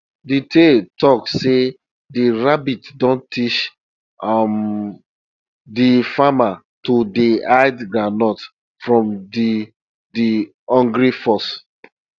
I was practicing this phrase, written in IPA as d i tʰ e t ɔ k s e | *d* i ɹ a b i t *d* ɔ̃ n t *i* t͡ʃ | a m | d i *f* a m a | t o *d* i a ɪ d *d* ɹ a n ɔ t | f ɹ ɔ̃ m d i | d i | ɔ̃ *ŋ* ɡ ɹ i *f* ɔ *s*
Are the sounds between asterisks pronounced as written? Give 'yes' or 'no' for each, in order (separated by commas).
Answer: yes, yes, yes, yes, yes, no, yes, yes, yes